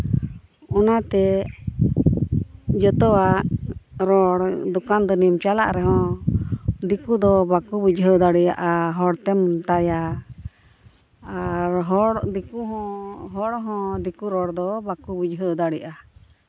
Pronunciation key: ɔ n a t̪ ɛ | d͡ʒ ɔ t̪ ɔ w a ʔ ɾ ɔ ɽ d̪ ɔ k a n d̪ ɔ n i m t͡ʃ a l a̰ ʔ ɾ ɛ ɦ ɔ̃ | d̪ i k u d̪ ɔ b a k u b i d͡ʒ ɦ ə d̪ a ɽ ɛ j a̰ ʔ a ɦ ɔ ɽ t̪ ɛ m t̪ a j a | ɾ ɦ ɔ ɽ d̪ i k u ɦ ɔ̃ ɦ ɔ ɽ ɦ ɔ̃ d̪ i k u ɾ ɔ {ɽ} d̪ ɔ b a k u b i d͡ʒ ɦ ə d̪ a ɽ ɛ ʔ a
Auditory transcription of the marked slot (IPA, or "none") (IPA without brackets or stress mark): ɽ